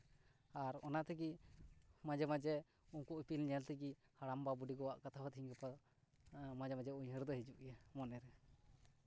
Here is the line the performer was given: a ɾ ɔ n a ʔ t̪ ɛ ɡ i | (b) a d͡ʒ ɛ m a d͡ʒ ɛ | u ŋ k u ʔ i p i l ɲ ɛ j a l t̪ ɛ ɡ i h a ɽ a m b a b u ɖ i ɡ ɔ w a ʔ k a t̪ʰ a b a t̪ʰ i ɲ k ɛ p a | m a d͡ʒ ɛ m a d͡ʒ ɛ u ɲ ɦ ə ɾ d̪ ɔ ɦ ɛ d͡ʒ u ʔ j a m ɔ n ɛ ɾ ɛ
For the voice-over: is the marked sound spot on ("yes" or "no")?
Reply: no